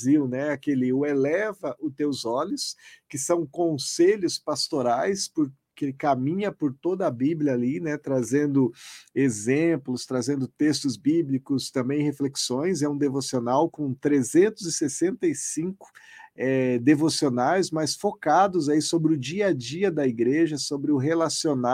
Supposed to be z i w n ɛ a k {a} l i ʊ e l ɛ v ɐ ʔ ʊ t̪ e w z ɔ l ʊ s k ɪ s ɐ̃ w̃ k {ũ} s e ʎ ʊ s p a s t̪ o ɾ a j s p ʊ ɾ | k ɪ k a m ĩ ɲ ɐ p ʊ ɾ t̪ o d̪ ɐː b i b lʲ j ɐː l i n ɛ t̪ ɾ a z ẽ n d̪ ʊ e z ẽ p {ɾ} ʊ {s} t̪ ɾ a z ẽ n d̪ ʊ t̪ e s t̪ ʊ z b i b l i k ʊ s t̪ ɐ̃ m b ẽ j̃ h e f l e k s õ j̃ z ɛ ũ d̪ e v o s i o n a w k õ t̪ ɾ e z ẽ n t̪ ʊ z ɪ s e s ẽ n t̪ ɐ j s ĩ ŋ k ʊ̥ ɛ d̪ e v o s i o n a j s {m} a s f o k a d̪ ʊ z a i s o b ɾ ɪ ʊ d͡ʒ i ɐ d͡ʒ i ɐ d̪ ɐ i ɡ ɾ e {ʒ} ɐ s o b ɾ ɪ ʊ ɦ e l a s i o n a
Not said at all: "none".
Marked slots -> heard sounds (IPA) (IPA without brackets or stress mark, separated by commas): e, õ, l, s, m, ʒ